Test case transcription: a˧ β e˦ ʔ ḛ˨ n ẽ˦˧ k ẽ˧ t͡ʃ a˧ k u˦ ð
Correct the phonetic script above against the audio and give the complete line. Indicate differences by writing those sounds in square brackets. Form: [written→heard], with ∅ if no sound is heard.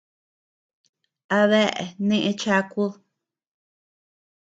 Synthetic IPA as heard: a˧ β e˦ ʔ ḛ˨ n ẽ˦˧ [k→ʔ] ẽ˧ t͡ʃ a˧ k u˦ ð